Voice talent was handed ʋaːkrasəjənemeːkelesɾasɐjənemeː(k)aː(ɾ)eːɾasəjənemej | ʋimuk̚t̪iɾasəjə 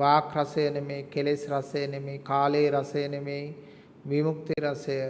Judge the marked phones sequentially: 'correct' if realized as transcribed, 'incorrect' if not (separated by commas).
correct, incorrect